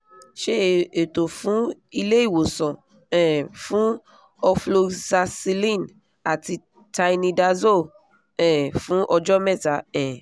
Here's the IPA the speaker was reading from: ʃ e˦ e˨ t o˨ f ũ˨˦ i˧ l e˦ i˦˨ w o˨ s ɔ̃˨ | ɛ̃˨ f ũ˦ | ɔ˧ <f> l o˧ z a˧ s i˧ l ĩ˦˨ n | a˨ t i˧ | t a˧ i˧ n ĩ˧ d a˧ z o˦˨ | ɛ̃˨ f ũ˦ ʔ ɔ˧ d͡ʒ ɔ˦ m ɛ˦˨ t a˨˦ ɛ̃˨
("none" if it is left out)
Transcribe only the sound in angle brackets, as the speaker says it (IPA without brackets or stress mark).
f